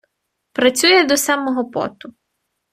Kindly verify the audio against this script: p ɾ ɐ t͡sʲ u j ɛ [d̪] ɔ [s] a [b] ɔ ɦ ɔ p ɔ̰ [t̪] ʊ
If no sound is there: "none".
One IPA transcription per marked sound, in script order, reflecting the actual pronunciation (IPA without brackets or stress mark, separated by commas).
d̪, s, m, t̪